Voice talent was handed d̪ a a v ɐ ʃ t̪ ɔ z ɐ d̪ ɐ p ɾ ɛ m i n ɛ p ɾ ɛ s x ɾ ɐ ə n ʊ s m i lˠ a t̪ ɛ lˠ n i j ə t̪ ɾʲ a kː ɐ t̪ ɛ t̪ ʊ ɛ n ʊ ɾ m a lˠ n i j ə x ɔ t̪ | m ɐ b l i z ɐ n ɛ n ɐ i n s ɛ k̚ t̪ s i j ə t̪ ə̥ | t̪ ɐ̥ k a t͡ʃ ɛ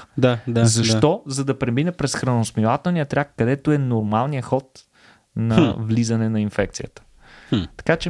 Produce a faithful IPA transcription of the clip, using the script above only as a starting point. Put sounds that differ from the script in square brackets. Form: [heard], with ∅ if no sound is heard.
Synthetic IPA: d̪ a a [z] ɐ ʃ t̪ ɔ z ɐ d̪ ɐ p ɾ ɛ m i n ɛ p ɾ ɛ s x ɾ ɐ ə n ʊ s m i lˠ a t̪ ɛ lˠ n i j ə t̪ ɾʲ a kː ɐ [d̪] ɛ t̪ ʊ ɛ n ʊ ɾ m a lˠ n i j ə x ɔ t̪ | [n] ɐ [v] l i z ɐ n ɛ n ɐ i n [f] ɛ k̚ t̪ s i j ə t̪ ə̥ | t̪ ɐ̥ k a t͡ʃ ɛ